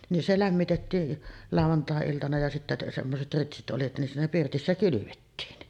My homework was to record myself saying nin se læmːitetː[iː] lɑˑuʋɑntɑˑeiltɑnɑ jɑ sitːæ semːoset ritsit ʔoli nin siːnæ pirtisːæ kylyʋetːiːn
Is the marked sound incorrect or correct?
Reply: correct